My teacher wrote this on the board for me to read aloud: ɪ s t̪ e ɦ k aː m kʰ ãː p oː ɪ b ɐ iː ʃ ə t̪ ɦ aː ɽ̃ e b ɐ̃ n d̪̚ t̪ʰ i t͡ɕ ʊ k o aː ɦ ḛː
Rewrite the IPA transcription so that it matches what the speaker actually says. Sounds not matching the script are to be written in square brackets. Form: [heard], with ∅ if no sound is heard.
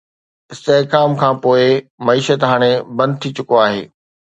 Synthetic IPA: ɪ s t̪ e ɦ k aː m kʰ ãː p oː ɪ [m] ɐ iː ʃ ə t̪ ɦ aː ɽ̃ e b ɐ̃ n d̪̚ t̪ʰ i t͡ɕ ʊ k o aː ɦ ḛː